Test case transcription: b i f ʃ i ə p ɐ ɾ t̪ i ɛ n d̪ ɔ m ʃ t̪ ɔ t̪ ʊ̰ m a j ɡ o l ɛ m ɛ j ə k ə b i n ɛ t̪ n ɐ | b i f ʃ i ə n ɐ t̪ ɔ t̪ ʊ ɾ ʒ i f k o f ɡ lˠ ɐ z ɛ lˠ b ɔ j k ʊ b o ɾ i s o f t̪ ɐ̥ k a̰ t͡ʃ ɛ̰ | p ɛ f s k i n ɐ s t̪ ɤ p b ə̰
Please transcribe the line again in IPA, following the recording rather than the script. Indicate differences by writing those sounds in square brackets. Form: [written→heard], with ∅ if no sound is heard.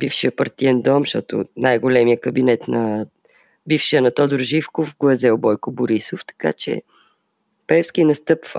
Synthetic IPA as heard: b i f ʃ i ə p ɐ ɾ t̪ i ɛ n d̪ ɔ m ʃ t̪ ɔ t̪ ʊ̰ [m→n] a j ɡ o l ɛ m [ɛ→i] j ə k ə b i n ɛ t̪ n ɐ | b i f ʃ i ə n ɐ t̪ ɔ [t̪→d̪] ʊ ɾ ʒ i f k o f ɡ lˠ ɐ z ɛ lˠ b ɔ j k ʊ b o ɾ i s o f t̪ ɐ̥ k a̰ t͡ʃ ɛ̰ | p ɛ f s k i n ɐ s t̪ ɤ p [b→v] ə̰